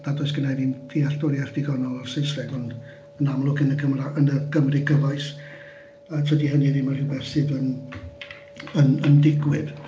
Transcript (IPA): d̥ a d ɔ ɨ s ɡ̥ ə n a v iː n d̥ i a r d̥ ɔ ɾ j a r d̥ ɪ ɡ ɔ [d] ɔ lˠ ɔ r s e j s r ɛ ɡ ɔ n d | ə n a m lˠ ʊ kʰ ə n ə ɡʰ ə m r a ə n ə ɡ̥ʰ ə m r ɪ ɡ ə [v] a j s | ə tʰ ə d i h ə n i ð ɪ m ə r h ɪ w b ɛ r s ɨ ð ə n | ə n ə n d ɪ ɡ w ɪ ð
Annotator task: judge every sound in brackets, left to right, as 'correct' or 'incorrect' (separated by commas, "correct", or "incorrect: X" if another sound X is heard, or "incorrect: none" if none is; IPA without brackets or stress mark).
incorrect: n, correct